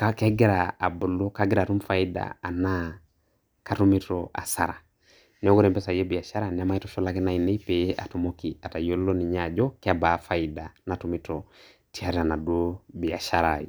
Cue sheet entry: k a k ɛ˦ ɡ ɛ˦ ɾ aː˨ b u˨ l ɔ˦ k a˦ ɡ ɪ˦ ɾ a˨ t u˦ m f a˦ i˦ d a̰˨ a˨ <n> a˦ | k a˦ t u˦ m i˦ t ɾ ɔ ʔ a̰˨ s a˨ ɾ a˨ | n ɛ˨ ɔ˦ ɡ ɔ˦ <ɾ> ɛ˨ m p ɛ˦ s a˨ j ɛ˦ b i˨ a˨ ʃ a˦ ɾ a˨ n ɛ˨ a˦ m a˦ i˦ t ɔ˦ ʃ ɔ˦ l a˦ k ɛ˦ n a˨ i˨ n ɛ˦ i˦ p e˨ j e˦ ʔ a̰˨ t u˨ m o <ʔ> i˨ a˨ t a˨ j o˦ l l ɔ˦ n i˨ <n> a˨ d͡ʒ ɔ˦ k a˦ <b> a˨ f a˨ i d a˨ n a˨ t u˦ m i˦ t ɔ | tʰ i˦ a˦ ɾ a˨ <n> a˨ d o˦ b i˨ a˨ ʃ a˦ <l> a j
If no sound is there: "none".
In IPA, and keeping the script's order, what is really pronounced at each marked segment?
n, ɾ, k, ɲ, b, n, ɾ

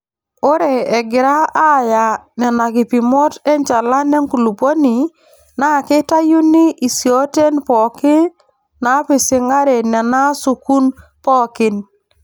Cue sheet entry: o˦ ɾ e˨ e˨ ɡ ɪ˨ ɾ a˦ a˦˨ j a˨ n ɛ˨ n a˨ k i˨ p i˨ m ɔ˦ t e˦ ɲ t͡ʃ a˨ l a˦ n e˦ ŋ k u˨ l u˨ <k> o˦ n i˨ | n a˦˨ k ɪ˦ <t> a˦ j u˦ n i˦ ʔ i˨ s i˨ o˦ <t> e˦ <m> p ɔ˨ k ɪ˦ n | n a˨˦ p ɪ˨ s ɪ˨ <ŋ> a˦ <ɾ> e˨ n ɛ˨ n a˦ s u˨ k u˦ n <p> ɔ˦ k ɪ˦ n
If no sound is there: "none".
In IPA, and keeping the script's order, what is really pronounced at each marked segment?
p, t, t, n, ŋ, ɾ, p

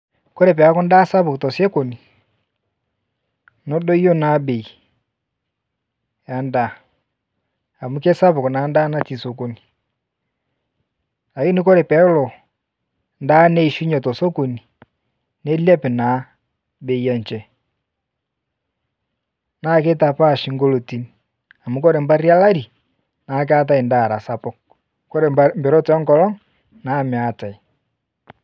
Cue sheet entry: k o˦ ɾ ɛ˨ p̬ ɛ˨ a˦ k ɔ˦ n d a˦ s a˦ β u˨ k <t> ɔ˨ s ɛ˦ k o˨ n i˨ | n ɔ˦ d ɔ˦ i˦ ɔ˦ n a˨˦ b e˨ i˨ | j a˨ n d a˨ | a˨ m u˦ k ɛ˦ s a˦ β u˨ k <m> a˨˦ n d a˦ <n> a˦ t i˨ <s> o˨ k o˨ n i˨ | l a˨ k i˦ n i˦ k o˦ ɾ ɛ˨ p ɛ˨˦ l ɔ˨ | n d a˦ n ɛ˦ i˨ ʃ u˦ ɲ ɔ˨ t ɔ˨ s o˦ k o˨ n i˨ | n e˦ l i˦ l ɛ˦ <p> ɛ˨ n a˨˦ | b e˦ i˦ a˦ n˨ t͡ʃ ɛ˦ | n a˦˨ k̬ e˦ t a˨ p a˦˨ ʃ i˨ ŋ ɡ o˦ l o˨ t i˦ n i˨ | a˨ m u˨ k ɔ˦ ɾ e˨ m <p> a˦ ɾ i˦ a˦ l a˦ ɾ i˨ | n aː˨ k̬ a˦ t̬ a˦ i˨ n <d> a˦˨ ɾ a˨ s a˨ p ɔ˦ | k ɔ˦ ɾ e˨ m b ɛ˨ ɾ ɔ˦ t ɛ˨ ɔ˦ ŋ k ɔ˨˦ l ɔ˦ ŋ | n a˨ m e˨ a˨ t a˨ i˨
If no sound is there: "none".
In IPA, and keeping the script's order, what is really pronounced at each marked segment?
t, n, n, s, p, b, d

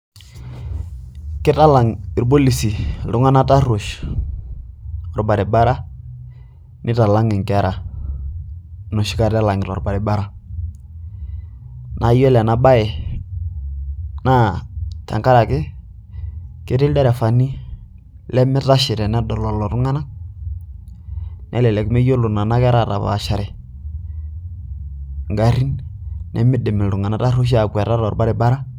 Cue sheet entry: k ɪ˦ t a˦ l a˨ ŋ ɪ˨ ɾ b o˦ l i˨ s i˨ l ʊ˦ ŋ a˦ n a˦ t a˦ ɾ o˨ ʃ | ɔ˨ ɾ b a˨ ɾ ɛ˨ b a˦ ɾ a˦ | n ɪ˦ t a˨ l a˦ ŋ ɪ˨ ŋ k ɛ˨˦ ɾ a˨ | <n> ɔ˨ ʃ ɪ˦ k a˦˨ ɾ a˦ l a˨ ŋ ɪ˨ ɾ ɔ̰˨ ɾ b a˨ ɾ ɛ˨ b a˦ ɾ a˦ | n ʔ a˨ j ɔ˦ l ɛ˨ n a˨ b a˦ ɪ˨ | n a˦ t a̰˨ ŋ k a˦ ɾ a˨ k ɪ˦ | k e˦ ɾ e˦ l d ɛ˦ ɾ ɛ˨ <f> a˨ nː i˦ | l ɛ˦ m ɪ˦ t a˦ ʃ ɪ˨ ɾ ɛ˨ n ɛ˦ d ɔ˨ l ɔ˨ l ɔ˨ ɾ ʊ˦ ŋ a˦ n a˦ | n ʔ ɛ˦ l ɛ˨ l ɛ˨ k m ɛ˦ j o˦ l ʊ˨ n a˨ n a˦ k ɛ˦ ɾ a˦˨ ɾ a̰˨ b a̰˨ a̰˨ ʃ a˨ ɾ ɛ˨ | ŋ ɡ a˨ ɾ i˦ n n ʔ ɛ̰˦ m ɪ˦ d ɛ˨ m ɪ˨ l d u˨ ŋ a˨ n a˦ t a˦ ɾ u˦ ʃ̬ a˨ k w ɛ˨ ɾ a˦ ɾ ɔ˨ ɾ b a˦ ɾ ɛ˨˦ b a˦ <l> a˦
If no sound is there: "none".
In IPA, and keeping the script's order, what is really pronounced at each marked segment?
n, f, ɾ

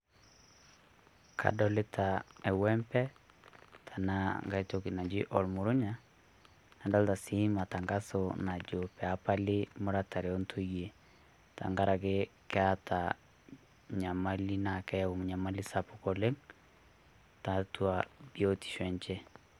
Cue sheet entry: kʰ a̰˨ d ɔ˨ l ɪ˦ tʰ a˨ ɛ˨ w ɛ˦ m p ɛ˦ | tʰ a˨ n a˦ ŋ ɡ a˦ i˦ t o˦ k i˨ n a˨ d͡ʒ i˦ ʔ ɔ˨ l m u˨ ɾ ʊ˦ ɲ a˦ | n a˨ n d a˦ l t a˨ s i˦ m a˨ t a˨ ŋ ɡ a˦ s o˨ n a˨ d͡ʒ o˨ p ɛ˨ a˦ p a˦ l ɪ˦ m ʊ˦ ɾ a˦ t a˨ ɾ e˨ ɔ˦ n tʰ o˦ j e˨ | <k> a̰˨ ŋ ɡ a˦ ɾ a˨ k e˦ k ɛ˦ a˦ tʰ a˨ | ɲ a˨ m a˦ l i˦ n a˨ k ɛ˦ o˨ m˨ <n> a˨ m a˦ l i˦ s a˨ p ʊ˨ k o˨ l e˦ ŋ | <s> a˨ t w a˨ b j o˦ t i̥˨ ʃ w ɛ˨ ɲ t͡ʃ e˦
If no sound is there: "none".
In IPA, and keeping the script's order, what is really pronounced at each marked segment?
t, ɲ, t

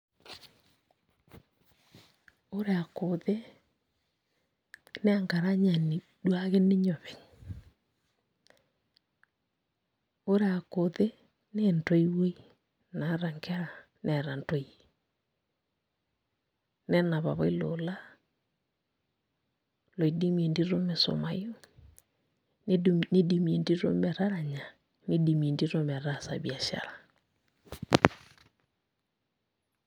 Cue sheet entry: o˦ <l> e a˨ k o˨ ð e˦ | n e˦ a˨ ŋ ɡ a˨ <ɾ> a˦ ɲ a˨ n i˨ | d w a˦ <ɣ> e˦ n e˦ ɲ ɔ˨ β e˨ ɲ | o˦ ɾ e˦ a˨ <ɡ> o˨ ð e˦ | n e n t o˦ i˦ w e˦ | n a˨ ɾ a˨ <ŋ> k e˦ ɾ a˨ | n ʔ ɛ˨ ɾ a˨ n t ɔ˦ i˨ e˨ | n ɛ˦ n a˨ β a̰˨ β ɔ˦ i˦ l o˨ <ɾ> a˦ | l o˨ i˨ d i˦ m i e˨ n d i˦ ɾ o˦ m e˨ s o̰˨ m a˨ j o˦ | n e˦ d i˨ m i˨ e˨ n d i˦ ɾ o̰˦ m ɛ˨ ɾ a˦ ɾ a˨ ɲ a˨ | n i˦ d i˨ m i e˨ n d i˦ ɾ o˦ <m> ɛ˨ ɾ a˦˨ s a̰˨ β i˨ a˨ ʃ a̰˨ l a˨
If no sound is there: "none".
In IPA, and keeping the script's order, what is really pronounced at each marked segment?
ɾ, ɾ, ɣ, k, ŋ, l, m

